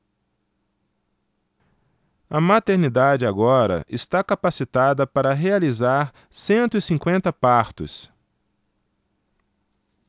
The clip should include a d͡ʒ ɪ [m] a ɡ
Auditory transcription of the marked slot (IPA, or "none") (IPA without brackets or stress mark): none